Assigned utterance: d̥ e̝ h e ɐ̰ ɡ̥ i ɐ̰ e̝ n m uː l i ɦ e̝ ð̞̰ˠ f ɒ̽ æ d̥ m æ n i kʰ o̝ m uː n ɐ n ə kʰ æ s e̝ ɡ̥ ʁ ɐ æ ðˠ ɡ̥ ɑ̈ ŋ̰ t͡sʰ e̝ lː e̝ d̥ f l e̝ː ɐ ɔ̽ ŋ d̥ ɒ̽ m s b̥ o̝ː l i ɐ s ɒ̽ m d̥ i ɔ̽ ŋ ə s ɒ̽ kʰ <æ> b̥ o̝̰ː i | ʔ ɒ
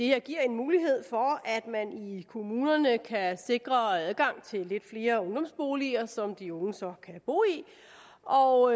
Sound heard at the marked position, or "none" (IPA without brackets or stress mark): æ